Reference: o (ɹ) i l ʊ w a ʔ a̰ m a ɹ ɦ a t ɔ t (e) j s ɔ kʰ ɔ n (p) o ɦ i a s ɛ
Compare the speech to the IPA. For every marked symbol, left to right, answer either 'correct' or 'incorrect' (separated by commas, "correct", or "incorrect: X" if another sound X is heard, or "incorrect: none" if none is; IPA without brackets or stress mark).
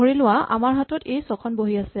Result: correct, correct, incorrect: b